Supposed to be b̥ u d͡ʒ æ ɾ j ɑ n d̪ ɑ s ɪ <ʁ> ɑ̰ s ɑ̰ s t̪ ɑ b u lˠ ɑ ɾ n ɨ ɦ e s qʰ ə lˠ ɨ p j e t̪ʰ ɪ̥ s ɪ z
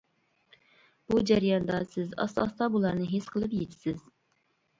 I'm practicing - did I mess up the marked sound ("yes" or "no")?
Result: yes